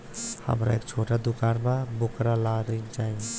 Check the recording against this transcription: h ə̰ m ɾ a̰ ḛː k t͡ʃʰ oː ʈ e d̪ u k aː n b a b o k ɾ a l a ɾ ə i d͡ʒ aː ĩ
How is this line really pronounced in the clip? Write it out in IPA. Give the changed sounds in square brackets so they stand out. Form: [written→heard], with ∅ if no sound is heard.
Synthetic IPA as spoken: h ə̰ m ɾ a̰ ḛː k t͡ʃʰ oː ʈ [e→a] d̪ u k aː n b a b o k ɾ a l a ɾ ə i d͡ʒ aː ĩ